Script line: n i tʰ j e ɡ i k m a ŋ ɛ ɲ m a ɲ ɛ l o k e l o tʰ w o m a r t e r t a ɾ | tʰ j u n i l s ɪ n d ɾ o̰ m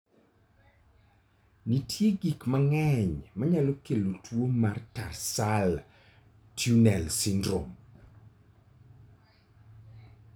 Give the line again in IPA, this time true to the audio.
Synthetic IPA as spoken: n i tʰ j e ɡ i k m a ŋ ɛ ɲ m a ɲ a l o k e l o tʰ w o m a r t a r s a l | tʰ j u n ɛ l s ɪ n d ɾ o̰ m